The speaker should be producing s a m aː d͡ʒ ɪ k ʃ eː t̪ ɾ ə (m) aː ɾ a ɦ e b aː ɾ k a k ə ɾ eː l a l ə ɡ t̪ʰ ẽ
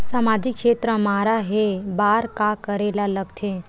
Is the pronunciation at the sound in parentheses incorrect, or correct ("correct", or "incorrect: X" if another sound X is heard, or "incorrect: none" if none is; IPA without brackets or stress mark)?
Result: correct